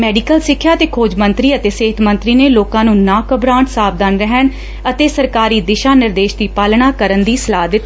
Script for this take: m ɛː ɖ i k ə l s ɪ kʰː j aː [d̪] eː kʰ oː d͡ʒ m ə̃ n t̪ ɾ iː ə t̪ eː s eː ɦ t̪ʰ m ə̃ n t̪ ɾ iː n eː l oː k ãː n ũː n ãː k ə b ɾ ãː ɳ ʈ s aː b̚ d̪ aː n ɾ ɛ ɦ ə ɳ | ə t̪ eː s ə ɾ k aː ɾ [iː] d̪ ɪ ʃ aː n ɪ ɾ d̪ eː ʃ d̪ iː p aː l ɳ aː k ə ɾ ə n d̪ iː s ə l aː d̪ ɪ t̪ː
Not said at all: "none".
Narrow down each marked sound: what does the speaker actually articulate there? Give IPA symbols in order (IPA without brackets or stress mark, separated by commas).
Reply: t̪, iː